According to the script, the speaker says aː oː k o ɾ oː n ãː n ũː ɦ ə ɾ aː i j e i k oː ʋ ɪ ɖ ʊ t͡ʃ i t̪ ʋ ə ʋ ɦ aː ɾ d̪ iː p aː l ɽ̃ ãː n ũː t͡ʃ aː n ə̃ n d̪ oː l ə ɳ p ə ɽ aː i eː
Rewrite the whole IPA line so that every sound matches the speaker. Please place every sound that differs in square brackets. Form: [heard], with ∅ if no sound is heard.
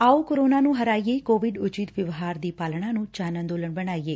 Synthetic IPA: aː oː k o ɾ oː n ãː n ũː ɦ ə ɾ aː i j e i k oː ʋ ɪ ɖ ʊ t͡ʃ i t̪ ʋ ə ʋ ɦ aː ɾ d̪ iː p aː l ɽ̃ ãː n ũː t͡ʃ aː n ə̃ n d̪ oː l ə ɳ [b] ə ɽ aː i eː